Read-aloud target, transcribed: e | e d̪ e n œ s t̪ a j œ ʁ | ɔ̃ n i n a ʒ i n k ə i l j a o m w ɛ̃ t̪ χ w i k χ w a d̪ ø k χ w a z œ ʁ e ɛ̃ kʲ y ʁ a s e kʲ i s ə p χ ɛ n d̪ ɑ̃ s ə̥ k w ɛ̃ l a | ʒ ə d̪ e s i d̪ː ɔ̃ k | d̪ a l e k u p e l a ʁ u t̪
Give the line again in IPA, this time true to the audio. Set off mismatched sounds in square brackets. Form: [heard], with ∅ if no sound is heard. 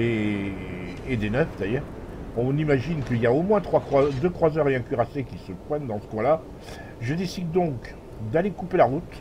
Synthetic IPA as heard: e | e d̪ e n œ [f] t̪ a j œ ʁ | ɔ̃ n i [m] a ʒ i n k ə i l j a o m w ɛ̃ t̪ χ w [a] k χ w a d̪ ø k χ w a z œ ʁ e ɛ̃ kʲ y ʁ a s e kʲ i s ə p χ ɛ n d̪ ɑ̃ s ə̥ k w ɛ̃ l a | ʒ ə d̪ e s i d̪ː ɔ̃ k | d̪ a l e k u p e l a ʁ u t̪

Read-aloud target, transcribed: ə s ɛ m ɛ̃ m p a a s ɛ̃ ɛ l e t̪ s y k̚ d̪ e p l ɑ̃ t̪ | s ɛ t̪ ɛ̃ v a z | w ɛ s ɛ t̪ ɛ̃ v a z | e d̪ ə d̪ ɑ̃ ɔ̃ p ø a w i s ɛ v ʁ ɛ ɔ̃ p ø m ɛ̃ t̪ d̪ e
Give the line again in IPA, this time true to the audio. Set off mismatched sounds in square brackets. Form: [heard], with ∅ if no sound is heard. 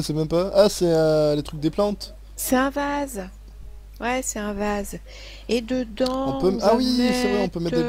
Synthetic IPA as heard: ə s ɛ m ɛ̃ m p a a s [ɛ] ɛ l e t̪ [χ] y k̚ d̪ e p l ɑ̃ t̪ | s ɛ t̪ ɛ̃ v a z | w ɛ s ɛ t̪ ɛ̃ v a z | e d̪ ə d̪ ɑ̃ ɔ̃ p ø a w i s ɛ v ʁ ɛ ɔ̃ p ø m [ɛ] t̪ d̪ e

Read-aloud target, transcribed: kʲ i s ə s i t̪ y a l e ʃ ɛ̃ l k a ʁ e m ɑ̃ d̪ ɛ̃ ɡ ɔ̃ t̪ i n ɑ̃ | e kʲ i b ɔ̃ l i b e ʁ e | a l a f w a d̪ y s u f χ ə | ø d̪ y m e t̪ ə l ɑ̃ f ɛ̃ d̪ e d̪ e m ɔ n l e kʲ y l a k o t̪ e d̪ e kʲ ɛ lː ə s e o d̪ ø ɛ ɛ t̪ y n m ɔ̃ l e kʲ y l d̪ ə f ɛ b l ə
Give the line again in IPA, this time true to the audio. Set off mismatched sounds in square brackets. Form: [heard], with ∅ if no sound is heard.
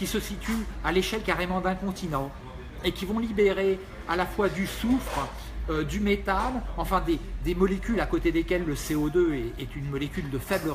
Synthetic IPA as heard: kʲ i s ə s i t̪ y a l e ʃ [ɛ] l k a ʁ e m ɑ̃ d̪ ɛ̃ [k] ɔ̃ t̪ i n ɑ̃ | e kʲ i [v] ɔ̃ l i b e ʁ e | a l a f w a d̪ y s u f χ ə | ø d̪ y m e t̪ [a] l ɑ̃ f ɛ̃ d̪ e d̪ e m ɔ [∅] l e kʲ y l a k o t̪ e d̪ e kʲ ɛ lː ə s e o d̪ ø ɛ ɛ t̪ y n m [ɔ] l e kʲ y l d̪ ə f ɛ b l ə

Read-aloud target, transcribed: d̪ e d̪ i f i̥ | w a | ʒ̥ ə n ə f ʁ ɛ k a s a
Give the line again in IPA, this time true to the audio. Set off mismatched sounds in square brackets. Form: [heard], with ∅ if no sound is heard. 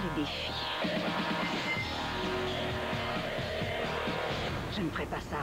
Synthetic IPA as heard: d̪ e d̪ [e] f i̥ | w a | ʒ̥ ə n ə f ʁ ɛ [p] a s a

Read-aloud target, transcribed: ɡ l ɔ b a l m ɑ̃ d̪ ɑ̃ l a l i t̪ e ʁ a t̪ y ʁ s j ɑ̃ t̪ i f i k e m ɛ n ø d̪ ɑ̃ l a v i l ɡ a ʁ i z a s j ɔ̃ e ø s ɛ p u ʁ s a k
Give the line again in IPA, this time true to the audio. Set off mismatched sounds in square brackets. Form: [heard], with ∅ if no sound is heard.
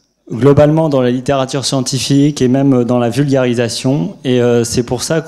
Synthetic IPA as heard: ɡ l ɔ b a l m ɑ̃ d̪ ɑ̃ l a l i t̪ e ʁ a t̪ y ʁ s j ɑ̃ t̪ i f i k e m ɛ [m] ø d̪ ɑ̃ l a v [y] l ɡ a ʁ i z a s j ɔ̃ e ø s ɛ p u ʁ s a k

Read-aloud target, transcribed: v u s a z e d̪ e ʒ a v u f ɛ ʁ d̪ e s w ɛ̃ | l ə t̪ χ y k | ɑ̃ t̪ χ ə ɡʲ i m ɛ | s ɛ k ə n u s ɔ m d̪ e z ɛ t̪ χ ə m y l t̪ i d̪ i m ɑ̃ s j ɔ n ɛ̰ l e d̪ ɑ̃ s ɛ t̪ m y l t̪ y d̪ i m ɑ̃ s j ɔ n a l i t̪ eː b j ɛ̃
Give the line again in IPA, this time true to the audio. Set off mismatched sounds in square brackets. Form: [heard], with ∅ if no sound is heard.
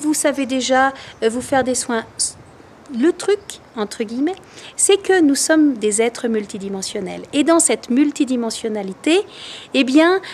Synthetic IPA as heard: v u s a [v] e d̪ e ʒ a v u f ɛ ʁ d̪ e s w ɛ̃ | l ə t̪ χ y k | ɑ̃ t̪ χ ə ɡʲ i m ɛ | s ɛ k ə n u s ɔ m d̪ e z ɛ t̪ χ ə m y l t̪ i d̪ i m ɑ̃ s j ɔ n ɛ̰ l e d̪ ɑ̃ s ɛ t̪ m y l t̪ [i] d̪ i m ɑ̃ s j ɔ n a l i t̪ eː b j ɛ̃

